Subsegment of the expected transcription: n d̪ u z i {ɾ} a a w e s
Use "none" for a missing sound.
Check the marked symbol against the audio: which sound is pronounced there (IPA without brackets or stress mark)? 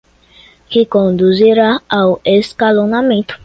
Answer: ɾ